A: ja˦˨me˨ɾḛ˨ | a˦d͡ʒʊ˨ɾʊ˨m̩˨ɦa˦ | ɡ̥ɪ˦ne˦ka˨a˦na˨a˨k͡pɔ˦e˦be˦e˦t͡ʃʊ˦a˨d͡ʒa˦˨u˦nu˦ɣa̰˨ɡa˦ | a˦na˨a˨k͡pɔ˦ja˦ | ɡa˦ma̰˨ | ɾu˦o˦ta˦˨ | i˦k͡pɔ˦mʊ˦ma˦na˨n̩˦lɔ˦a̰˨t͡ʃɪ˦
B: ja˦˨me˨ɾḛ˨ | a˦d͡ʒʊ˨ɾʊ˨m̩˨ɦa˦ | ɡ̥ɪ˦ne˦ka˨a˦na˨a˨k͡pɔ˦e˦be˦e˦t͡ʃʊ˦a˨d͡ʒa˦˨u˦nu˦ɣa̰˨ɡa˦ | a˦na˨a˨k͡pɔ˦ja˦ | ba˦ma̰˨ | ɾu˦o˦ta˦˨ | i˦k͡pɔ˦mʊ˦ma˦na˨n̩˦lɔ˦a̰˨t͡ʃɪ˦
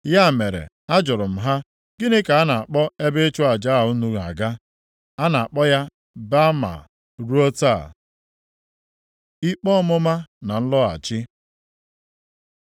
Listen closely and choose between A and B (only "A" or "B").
B